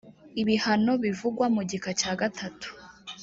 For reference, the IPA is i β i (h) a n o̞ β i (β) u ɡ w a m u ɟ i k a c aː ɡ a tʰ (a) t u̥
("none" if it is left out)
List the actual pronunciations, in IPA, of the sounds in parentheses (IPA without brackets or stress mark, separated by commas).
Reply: h, v, a